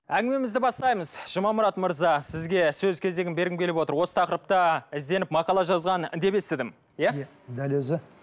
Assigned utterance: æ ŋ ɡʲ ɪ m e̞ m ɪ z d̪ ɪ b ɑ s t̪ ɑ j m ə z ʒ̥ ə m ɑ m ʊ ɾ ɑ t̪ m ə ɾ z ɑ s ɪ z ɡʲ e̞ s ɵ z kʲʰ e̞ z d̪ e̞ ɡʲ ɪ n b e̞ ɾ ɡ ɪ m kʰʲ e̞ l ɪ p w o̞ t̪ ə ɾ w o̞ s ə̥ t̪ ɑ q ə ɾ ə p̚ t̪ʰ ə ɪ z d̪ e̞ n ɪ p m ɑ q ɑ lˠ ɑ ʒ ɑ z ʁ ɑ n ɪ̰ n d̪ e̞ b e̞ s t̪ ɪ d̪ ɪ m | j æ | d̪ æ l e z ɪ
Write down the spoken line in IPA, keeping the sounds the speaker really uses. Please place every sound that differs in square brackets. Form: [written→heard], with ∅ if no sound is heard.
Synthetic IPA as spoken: æ ŋ ɡʲ ɪ m e̞ m ɪ z d̪ ɪ b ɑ s t̪ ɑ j m ə z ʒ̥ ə m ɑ m ʊ ɾ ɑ t̪ m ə ɾ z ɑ s ɪ z ɡʲ e̞ s ɵ z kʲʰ e̞ z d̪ e̞ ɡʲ ɪ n b e̞ ɾ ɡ ɪ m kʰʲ e̞ l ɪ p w o̞ t̪ ə ɾ w o̞ s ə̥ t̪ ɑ q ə ɾ ə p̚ [t̪ʰ→t̪] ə ɪ z d̪ e̞ n ɪ p m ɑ q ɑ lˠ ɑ ʒ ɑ z ʁ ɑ n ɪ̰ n d̪ e̞ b e̞ s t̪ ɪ d̪ ɪ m | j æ | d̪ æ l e z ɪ